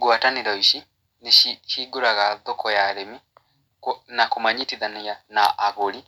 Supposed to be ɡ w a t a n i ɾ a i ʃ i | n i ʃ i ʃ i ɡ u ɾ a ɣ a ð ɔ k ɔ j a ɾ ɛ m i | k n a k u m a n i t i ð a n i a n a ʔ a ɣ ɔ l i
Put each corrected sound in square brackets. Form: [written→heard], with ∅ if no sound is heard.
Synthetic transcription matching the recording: ɡ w a t a n i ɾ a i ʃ i | n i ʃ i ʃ i ɡ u ɾ a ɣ a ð ɔ k ɔ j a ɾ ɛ m i | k n a k u m a [n→ɲ] i t i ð a n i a n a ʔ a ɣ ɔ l i